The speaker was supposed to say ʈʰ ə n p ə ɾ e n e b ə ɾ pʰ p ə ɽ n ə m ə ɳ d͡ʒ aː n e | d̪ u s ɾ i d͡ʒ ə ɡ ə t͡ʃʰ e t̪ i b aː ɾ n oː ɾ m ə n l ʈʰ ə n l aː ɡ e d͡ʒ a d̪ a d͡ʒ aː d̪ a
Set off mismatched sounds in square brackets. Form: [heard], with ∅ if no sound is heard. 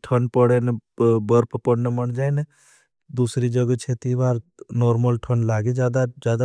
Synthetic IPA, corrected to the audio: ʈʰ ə n p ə [ɽ] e n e b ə ɾ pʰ p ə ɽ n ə m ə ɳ d͡ʒ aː n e | d̪ u s ɾ i d͡ʒ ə ɡ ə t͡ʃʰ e t̪ i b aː ɾ n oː ɾ m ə [∅] l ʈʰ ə n l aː ɡ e d͡ʒ a d̪ a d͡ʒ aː d̪ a

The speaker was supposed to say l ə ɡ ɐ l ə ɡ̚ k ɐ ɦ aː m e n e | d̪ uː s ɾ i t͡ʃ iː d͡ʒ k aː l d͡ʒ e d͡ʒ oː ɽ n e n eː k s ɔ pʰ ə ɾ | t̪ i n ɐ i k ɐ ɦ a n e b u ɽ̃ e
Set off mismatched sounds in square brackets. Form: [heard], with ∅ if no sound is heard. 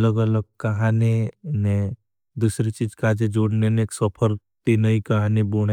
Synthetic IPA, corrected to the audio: l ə ɡ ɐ l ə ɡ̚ k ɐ ɦ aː [n] e n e | d̪ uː s ɾ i t͡ʃ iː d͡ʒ k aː [∅] d͡ʒ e d͡ʒ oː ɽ n e n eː k s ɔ pʰ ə ɾ | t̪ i n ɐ i k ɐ ɦ a n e b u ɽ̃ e

